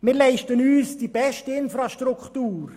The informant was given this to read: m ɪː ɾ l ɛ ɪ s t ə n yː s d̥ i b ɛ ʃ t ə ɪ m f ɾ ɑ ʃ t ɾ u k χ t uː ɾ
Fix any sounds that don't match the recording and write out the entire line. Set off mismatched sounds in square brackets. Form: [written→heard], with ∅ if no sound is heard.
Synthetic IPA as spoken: m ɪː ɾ l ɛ ɪ [s→ʃ] t ə n yː s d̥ i b ɛ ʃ t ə ɪ [m→n] f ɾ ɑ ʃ t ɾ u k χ t uː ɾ